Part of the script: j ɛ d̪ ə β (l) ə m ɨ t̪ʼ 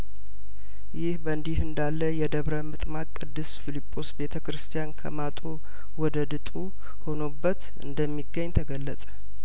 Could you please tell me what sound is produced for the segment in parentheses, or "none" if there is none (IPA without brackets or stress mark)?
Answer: ɾ